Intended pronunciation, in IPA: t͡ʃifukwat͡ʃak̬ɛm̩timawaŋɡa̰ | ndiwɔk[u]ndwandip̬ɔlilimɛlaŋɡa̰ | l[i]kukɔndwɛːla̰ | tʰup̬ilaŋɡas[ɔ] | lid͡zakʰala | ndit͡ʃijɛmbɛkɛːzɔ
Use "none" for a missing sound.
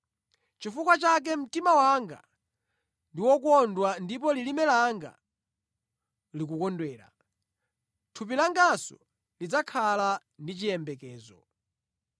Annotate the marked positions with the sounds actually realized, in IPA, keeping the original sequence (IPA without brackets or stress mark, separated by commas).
ɔ, i, ɔ